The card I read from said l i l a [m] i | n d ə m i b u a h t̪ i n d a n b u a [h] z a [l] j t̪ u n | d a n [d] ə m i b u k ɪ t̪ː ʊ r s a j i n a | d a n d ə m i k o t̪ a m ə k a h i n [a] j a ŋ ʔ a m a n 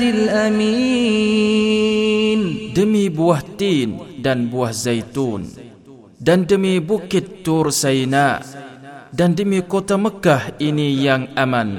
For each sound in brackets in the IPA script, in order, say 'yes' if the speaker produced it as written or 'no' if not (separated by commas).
yes, yes, no, yes, no